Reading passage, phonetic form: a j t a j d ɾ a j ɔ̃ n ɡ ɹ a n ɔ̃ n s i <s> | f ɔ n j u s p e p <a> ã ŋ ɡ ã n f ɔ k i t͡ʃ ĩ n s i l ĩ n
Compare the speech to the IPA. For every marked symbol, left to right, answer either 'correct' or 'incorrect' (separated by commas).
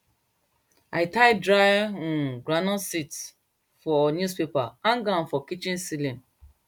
incorrect, correct